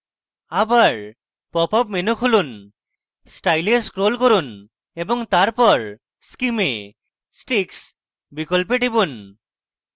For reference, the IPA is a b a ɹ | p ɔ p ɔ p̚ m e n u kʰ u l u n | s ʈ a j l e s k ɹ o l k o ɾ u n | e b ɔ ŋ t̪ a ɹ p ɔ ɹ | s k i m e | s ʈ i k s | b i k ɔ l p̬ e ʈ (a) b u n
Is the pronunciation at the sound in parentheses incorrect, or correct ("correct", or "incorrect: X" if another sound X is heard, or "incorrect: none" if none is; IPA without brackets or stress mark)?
incorrect: i